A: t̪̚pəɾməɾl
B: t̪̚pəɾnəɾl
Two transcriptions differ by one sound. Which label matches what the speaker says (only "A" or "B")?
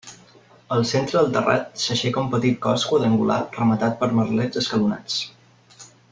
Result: A